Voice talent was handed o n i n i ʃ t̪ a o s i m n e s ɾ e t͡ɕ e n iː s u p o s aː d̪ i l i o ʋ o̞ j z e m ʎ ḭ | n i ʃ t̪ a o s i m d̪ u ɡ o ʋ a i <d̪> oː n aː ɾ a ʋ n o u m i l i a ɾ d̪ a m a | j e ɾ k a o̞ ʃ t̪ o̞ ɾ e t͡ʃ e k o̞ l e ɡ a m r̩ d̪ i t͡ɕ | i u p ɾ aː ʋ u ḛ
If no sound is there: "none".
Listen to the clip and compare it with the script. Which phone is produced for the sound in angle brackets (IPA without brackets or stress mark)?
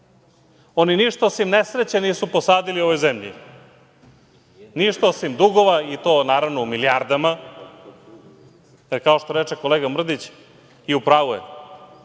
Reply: t̪